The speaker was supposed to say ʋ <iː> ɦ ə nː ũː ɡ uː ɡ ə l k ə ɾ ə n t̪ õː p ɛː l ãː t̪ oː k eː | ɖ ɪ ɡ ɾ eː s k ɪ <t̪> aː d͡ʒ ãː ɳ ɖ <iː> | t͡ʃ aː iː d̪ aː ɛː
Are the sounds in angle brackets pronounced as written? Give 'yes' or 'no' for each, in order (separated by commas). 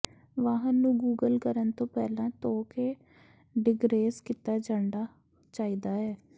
no, yes, no